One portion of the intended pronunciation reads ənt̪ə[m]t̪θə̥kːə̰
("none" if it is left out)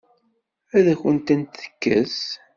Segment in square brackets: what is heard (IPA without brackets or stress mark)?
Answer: n